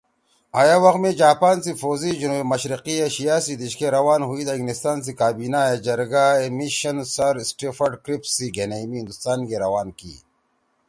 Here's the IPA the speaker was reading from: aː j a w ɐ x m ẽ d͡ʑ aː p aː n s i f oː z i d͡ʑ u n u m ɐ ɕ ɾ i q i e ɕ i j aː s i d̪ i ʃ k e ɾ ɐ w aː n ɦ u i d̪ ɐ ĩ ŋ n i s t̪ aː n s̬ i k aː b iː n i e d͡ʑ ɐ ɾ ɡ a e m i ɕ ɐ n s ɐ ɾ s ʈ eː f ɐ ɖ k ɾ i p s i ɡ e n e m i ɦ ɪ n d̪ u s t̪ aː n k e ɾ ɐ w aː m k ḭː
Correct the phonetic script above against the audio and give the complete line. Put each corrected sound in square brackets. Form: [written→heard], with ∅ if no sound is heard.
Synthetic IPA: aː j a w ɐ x m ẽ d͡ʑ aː p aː n s i f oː z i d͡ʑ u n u m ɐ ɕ ɾ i q i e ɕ i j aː s i d̪ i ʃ k e ɾ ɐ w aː n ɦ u i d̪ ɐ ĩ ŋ n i s t̪ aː n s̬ i k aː b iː n [i→a] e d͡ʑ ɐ ɾ ɡ a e m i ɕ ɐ n s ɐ ɾ s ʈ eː f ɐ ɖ k ɾ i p s i ɡ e n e m i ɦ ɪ n d̪ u s t̪ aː n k e ɾ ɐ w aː [m→n] k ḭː